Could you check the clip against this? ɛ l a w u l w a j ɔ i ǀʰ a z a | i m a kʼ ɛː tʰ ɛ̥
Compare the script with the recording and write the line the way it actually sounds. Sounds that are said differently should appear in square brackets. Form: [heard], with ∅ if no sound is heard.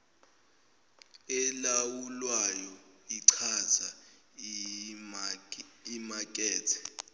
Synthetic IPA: ɛ l a w u l w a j ɔ i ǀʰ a z a | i m a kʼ ɛː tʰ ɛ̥